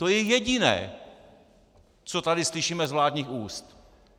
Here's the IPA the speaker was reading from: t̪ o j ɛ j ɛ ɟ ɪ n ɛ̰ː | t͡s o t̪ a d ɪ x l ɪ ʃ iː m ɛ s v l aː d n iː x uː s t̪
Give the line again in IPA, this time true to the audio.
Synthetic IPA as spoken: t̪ o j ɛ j ɛ ɟ ɪ n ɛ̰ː | t͡s o t̪ a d ɪ s l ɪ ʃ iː m ɛ z v l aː d ɲ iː x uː s t̪